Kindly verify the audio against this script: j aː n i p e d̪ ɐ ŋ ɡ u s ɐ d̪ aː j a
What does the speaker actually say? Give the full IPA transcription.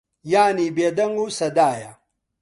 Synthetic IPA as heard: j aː n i b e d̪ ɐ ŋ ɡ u s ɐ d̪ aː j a